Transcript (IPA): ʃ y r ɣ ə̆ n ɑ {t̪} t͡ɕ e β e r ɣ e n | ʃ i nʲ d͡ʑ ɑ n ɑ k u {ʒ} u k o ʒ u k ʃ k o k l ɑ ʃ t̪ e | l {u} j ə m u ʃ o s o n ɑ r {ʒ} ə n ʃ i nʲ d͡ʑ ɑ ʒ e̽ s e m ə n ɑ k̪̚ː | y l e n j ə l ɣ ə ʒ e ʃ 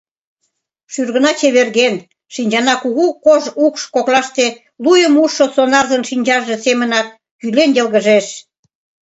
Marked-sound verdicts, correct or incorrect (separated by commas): incorrect, incorrect, correct, incorrect